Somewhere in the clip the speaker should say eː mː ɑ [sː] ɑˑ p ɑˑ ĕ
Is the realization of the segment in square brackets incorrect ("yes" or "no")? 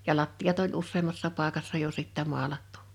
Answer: no